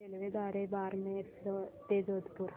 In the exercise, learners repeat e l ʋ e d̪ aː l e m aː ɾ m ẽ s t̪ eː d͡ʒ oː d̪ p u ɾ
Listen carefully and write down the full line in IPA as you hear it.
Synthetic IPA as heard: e l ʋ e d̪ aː ɾ e b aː ɾ m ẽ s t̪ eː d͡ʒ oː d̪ p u ɾ